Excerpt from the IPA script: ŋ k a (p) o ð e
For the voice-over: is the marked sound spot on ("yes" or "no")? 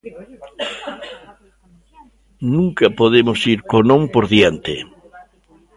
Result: yes